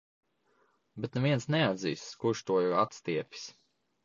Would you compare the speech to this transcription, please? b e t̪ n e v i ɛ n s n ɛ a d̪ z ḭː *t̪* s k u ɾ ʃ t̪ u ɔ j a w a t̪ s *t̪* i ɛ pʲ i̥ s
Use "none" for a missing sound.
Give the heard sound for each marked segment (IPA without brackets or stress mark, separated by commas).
none, t̪